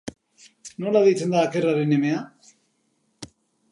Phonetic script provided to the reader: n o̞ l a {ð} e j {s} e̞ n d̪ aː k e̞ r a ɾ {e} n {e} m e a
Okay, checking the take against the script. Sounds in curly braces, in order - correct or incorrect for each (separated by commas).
correct, incorrect, correct, correct